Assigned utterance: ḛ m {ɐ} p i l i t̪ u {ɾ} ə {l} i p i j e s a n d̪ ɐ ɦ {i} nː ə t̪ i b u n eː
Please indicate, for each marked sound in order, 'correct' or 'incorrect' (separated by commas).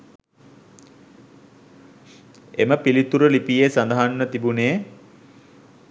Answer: incorrect, correct, correct, incorrect